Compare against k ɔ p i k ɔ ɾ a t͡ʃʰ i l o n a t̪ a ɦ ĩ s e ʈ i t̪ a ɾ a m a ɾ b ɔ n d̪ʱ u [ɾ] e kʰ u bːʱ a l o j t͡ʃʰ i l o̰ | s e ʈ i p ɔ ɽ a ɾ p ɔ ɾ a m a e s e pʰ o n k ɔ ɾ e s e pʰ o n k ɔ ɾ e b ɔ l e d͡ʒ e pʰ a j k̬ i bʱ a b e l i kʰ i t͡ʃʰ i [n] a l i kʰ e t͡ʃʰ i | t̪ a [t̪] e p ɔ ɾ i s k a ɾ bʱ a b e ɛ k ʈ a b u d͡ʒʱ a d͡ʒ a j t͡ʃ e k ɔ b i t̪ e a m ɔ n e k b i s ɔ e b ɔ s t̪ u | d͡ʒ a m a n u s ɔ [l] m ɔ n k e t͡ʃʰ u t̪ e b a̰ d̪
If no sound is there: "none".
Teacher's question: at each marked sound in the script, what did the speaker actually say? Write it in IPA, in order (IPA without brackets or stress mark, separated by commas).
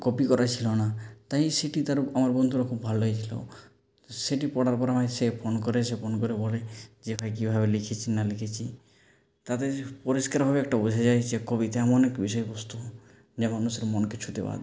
ɾ, n, t̪, ɾ